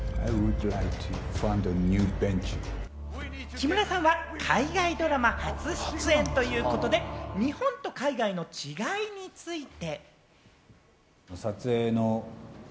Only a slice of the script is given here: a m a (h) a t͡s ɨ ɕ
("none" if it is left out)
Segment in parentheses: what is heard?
h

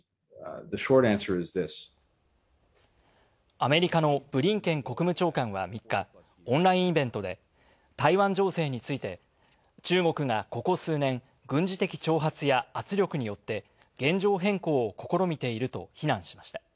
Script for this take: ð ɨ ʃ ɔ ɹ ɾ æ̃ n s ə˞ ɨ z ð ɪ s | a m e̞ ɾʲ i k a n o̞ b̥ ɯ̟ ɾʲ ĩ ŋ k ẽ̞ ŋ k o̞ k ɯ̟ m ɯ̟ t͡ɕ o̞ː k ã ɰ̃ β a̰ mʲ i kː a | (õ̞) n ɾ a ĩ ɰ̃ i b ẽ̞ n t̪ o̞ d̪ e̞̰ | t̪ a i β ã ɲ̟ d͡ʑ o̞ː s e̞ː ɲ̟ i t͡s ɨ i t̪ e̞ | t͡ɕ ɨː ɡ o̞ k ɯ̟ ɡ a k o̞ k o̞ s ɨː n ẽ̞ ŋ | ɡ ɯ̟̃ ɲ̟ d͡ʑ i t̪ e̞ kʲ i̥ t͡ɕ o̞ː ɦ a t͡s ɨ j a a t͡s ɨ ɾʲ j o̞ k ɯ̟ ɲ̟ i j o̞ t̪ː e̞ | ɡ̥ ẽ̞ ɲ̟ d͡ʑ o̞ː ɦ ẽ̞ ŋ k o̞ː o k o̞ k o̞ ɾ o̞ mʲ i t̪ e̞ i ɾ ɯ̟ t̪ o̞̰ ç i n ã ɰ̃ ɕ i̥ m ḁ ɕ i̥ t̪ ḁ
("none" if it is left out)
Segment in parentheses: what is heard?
õ̞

